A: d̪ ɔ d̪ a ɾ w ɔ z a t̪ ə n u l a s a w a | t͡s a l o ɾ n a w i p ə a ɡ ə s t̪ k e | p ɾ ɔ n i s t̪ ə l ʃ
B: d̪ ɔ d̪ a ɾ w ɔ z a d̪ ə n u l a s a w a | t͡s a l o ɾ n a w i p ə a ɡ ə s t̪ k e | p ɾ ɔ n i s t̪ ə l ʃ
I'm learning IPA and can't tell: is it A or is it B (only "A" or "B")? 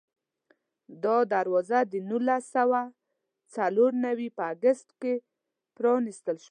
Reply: B